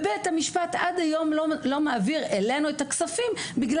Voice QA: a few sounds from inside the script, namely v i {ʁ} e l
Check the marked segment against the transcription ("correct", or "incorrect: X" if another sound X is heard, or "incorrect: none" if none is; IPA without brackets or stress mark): correct